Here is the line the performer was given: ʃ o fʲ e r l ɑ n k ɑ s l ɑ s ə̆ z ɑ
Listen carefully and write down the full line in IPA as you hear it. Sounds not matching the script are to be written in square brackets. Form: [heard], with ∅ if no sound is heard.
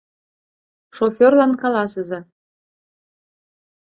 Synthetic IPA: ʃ o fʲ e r l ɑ n k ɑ [∅] l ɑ s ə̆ z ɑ